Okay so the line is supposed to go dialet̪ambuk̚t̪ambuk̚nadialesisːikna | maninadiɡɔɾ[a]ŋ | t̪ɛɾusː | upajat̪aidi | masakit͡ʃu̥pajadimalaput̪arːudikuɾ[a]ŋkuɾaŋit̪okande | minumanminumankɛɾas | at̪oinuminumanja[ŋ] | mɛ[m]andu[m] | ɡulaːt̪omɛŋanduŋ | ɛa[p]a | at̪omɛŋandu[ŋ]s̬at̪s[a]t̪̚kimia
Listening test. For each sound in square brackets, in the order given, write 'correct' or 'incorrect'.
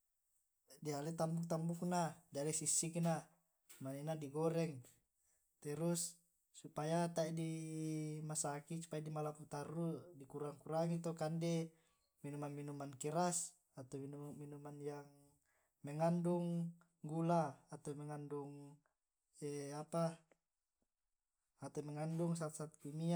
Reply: incorrect, correct, correct, incorrect, incorrect, correct, correct, correct

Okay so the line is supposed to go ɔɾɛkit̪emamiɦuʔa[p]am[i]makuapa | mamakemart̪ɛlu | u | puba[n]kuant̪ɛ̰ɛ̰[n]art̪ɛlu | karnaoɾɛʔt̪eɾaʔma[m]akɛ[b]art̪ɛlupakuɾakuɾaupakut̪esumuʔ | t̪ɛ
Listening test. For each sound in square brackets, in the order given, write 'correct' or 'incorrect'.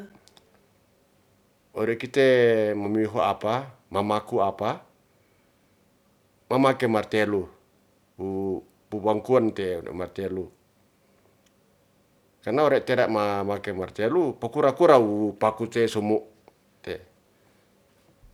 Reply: correct, incorrect, incorrect, incorrect, correct, incorrect

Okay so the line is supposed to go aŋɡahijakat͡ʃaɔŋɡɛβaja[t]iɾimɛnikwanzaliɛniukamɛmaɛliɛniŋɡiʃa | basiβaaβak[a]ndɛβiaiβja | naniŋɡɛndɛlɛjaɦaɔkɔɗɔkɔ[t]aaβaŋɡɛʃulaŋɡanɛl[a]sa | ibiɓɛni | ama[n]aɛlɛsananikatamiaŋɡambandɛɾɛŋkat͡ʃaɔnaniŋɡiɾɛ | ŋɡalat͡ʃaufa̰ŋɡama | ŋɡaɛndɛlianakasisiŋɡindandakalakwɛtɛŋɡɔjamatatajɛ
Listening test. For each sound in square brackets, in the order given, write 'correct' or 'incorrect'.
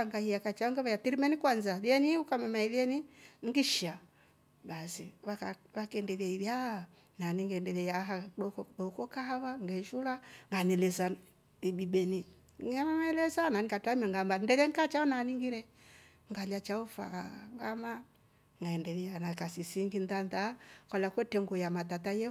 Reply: correct, incorrect, incorrect, incorrect, incorrect

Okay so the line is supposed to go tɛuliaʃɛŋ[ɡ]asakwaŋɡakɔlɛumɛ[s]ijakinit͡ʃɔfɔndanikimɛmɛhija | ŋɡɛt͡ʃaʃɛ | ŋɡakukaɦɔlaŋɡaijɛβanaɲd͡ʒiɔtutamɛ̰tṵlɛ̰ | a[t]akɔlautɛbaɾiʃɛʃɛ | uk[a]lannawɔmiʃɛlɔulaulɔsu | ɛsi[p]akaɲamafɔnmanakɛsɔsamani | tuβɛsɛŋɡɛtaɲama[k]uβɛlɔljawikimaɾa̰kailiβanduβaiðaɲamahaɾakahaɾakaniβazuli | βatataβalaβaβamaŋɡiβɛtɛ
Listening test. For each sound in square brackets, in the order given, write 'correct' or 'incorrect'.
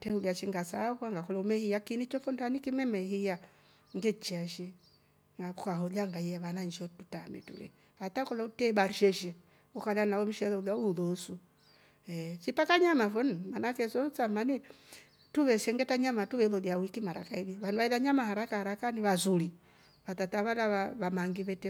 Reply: correct, incorrect, correct, correct, correct, incorrect

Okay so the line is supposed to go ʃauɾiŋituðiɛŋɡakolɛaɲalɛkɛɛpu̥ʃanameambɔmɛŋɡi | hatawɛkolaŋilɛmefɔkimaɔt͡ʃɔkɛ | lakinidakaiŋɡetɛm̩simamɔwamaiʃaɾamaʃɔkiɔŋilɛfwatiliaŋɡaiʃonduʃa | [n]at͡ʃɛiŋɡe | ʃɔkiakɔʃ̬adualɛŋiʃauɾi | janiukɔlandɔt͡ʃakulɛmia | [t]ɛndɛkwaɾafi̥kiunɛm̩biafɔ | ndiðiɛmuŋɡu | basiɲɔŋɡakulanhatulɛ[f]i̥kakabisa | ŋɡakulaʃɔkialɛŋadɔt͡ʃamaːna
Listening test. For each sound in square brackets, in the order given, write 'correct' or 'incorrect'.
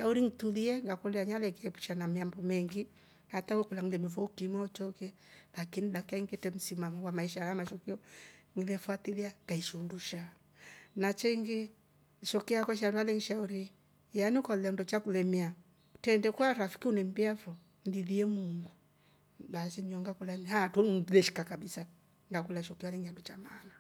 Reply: correct, correct, incorrect

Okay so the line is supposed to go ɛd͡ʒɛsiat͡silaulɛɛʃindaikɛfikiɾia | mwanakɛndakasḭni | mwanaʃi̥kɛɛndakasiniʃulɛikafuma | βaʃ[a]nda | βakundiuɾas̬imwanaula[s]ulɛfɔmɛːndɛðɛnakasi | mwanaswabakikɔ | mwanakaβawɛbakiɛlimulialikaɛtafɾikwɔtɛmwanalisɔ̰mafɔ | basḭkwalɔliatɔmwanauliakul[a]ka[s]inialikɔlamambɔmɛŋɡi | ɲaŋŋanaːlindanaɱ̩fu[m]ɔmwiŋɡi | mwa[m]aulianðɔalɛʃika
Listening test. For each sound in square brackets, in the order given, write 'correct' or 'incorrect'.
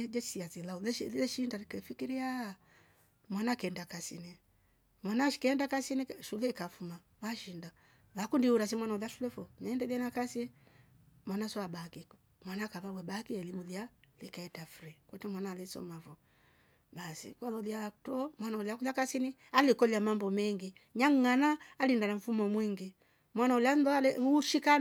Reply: incorrect, incorrect, correct, correct, correct, incorrect

